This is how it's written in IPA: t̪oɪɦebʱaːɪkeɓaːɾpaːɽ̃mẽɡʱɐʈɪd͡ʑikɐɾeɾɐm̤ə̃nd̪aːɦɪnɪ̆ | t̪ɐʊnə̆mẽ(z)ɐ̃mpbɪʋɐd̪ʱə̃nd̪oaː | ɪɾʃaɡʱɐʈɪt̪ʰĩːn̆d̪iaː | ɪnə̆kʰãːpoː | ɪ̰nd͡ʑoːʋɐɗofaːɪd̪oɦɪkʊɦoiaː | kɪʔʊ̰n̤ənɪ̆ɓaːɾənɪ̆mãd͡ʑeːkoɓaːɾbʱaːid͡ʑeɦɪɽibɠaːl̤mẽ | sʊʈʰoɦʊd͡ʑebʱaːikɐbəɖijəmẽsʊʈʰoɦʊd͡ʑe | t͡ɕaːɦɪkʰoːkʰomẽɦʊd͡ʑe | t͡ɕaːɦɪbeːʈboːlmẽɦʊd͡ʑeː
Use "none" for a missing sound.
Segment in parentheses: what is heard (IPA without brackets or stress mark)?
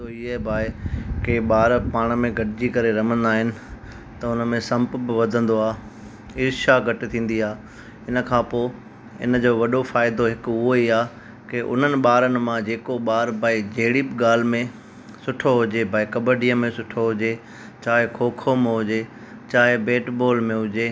s